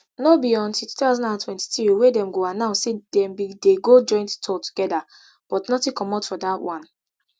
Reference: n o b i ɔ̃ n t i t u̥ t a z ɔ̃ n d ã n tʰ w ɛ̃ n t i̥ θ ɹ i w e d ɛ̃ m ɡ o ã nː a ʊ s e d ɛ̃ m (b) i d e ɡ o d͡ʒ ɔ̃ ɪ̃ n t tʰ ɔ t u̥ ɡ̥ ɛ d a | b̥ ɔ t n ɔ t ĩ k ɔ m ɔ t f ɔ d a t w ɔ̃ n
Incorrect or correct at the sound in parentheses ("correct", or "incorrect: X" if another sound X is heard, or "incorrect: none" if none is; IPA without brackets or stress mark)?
correct